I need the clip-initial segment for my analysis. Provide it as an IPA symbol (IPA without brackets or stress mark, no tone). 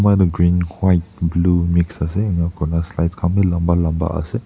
m